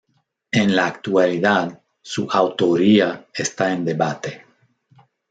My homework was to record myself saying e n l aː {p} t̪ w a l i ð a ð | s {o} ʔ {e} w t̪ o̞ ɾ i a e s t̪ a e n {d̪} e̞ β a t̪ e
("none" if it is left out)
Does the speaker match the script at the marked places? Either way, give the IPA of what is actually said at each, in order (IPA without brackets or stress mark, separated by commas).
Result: k, u, a, d̪